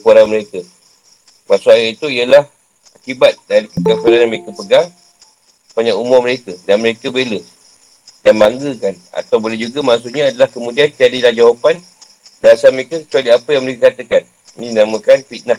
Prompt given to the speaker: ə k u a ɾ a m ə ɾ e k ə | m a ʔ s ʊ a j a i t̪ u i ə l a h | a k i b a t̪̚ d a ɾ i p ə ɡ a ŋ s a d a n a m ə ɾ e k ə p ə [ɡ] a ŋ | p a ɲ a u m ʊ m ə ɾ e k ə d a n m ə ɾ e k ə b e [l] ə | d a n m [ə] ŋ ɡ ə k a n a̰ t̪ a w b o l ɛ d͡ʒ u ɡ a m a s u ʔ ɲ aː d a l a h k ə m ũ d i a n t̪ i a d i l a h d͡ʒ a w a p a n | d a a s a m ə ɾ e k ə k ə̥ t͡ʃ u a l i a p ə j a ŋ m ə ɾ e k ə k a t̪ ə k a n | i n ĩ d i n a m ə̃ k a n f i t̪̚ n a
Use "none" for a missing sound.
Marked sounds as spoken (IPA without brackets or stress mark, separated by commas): ɡ, l, a